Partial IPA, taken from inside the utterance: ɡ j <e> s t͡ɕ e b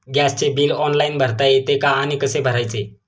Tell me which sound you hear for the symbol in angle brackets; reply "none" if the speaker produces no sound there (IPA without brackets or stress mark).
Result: a